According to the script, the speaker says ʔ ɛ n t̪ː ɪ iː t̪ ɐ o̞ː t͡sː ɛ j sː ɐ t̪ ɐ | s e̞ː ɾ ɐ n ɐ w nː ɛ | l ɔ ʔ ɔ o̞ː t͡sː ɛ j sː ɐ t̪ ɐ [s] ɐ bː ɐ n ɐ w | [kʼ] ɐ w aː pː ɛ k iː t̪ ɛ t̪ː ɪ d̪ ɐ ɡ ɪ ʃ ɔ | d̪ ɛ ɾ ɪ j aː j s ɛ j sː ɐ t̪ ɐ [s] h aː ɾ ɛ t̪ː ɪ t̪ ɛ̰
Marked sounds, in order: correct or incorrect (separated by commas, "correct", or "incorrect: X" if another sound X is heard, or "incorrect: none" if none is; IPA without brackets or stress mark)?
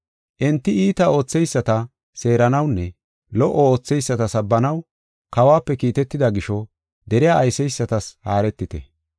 correct, incorrect: k, correct